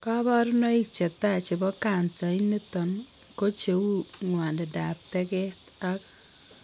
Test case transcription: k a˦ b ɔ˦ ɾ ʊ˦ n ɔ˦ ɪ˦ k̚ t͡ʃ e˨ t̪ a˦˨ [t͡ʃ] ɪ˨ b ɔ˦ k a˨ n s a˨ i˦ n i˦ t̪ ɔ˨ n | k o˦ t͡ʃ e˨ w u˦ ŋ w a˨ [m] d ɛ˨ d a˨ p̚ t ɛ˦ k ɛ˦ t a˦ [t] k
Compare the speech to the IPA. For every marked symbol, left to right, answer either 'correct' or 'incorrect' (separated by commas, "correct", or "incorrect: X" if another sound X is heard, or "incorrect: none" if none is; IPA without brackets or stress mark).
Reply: correct, incorrect: n, incorrect: none